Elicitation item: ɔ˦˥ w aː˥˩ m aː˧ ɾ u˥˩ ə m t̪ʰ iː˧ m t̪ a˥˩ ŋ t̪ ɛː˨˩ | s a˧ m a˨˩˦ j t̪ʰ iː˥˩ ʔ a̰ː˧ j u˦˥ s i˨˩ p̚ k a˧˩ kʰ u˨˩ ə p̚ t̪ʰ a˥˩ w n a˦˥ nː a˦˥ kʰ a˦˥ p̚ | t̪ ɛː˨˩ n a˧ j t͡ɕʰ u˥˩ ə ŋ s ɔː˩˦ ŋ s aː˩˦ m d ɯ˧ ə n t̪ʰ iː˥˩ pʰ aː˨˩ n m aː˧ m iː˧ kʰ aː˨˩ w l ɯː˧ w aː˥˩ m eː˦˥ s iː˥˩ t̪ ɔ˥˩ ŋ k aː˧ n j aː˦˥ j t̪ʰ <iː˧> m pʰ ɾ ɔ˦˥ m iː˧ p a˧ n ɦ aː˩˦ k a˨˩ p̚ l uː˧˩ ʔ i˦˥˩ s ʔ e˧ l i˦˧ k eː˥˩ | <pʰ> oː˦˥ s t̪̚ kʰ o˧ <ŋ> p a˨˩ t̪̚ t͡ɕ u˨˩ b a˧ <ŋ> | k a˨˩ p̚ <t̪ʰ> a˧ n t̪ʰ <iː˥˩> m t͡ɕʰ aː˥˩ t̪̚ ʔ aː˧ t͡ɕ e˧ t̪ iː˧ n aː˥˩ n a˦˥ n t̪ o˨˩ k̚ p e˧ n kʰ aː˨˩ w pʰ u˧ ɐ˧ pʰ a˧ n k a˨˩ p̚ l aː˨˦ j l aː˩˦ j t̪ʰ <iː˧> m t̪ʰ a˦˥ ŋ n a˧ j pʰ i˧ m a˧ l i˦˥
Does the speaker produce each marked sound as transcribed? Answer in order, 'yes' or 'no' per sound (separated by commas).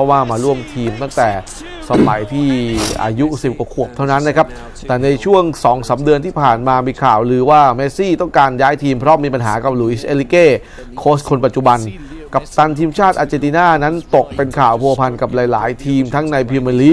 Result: yes, no, no, no, no, no, yes